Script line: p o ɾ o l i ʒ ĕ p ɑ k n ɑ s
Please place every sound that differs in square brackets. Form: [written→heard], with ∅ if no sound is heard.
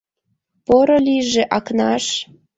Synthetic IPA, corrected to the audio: p o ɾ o l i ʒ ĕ [p→ʔ] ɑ k n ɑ [s→ʃ]